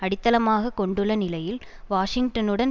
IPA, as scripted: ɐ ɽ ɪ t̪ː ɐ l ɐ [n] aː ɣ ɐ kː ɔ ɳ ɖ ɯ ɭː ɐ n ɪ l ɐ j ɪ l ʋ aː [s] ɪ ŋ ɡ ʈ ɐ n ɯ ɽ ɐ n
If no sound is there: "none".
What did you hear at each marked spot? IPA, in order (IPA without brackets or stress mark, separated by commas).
m, ʂ